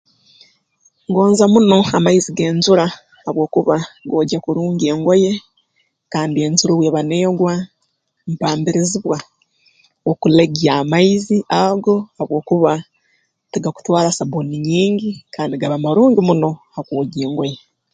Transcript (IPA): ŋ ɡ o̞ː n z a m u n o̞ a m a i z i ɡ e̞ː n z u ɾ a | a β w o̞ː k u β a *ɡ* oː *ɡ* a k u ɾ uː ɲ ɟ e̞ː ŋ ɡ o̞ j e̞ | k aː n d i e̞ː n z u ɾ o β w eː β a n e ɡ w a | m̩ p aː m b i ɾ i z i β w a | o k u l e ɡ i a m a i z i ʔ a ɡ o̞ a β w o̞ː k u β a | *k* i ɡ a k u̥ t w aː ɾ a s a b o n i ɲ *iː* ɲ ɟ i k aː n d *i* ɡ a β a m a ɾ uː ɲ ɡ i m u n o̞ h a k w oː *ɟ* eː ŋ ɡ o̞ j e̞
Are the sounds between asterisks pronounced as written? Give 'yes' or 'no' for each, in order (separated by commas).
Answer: yes, no, no, yes, yes, yes